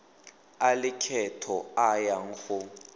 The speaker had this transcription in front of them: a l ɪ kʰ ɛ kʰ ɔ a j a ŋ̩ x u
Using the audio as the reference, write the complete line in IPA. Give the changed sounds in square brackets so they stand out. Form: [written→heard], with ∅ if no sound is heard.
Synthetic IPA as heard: a l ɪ kʰ ɛ [kʰ→tʰ] ɔ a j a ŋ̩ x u